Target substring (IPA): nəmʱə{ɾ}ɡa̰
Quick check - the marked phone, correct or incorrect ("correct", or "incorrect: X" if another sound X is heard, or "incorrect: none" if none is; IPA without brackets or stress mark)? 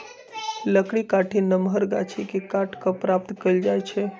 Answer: correct